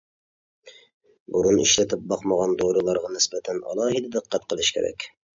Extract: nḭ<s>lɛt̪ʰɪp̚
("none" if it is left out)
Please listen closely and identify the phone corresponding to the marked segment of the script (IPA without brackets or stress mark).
ʃ